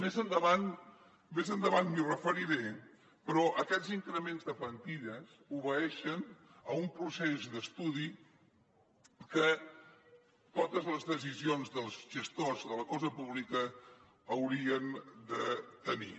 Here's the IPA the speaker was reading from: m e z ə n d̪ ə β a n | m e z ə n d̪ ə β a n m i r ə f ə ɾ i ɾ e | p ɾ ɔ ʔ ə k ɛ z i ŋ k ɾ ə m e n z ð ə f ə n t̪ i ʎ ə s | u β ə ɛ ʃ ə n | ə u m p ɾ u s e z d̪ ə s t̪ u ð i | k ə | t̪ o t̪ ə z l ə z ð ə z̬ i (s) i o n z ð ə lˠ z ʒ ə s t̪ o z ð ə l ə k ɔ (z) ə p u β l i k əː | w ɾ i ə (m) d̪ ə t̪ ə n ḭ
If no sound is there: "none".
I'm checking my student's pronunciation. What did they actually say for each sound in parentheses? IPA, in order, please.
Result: z, z, n

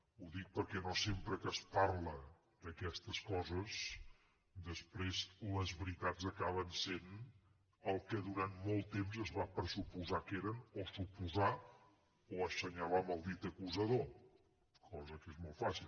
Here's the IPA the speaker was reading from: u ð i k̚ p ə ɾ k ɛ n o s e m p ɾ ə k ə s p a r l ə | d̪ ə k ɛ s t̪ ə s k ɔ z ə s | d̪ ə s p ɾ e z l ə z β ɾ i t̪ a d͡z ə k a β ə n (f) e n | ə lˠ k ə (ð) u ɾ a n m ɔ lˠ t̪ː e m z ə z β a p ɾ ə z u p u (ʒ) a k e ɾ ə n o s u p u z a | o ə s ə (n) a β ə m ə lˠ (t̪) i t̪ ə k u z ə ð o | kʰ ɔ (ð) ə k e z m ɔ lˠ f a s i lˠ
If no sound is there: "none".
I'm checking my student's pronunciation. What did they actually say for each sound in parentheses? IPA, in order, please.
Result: s, ð, z, ɲ, d̪, z

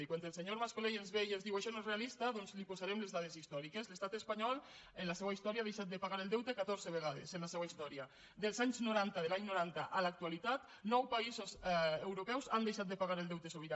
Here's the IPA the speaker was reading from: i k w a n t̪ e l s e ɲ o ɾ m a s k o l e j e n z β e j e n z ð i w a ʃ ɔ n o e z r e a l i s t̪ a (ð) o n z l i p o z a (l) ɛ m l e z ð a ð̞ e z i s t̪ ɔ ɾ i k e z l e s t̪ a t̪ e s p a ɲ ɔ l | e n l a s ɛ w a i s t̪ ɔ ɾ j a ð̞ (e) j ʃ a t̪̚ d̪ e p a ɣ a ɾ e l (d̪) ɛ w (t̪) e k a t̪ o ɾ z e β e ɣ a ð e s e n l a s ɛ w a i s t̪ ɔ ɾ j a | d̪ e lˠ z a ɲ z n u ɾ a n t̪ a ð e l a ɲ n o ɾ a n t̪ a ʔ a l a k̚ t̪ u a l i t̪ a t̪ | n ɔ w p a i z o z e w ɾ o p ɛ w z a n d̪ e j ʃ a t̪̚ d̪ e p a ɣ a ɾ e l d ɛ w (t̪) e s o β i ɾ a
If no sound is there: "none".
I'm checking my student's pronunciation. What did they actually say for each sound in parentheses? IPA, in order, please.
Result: ð, ɾ, e, d̪, t̪, t̪

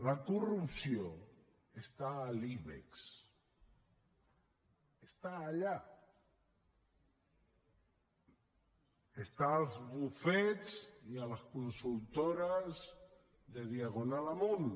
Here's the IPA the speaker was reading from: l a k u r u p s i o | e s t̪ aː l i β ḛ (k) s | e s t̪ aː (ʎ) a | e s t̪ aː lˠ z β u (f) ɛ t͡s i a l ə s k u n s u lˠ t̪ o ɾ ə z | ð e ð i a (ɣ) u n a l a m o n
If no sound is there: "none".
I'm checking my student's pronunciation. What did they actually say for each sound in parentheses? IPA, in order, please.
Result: k, ʎ, f, ɣ

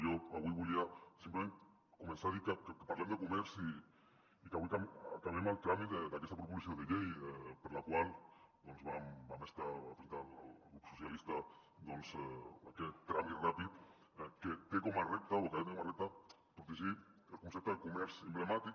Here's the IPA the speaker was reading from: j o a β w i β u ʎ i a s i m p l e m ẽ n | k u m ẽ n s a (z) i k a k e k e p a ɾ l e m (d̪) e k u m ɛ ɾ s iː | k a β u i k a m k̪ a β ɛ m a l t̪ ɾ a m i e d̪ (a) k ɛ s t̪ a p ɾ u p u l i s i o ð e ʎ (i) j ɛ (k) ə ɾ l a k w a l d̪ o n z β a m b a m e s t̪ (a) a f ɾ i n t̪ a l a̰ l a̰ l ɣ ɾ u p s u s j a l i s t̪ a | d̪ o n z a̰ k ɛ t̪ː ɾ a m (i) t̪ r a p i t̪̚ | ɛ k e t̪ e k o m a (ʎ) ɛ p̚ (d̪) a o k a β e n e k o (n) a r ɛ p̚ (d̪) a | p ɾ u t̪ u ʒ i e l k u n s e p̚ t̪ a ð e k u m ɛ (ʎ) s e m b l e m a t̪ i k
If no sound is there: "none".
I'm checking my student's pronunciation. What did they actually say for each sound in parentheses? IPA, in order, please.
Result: ð, d̪, a, e, p, a, i, r, t̪, m, t̪, ɾ

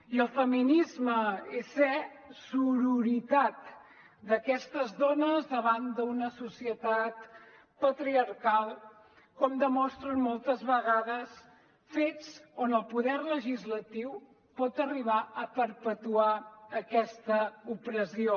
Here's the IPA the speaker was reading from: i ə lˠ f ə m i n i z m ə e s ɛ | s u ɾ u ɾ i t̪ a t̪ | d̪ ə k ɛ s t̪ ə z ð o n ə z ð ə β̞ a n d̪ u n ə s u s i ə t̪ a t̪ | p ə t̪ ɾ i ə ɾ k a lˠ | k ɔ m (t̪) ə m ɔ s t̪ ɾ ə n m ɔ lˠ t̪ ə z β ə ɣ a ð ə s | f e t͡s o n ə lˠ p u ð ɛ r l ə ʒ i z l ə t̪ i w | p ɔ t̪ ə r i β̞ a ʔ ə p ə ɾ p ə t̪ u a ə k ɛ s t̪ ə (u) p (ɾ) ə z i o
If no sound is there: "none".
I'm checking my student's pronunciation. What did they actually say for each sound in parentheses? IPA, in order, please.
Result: d̪, u, ɾ

